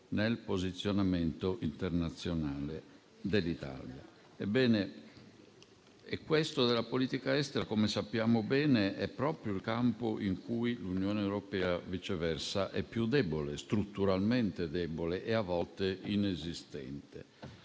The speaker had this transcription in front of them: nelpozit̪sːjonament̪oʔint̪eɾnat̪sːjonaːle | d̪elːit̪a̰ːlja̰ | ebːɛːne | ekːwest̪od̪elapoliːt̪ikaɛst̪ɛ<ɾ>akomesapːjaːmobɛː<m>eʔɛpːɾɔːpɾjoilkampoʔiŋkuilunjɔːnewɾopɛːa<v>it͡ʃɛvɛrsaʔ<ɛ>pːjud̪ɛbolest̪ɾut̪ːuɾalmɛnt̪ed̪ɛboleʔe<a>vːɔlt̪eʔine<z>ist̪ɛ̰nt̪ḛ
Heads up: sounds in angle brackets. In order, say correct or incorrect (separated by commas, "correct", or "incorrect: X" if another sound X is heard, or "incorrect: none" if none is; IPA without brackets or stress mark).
correct, incorrect: n, correct, correct, correct, correct